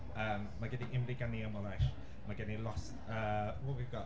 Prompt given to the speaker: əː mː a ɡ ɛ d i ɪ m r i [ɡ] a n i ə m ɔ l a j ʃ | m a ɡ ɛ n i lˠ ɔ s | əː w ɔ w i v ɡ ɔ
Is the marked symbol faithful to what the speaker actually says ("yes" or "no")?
yes